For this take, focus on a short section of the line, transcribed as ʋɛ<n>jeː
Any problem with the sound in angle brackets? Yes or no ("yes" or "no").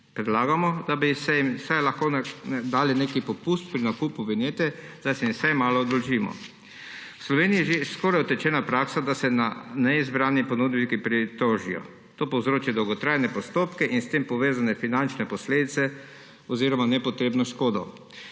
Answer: no